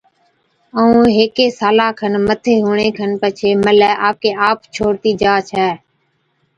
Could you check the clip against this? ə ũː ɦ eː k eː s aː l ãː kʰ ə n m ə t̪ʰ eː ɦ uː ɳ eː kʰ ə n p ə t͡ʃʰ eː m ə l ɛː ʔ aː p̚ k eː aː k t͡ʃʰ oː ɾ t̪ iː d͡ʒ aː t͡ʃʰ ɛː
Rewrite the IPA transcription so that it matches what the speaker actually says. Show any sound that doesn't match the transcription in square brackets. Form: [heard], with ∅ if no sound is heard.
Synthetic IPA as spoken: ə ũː ɦ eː k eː s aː l [aː] kʰ ə n m ə t̪ʰ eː ɦ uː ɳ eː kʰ ə n p ə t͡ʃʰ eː m ə l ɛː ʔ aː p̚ k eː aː [p] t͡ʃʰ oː ɾ t̪ iː d͡ʒ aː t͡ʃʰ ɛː